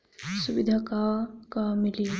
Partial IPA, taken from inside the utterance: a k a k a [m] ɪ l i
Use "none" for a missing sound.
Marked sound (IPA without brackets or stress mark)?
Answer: m